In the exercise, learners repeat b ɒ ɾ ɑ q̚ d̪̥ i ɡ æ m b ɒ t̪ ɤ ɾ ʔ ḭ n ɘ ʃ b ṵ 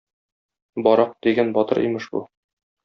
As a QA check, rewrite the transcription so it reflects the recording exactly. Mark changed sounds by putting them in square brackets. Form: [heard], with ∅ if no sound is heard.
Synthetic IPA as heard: b ɒ ɾ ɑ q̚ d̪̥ i ɡ æ [n] b ɒ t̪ ɤ ɾ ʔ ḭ [m] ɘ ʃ b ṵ